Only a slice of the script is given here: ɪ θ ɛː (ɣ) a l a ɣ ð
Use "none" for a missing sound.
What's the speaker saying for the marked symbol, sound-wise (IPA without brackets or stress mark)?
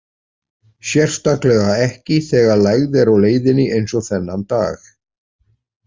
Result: ɣ